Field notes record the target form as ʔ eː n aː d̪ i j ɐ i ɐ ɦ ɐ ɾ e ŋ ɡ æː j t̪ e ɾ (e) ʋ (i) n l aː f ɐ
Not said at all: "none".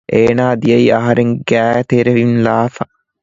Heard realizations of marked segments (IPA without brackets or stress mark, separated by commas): e, i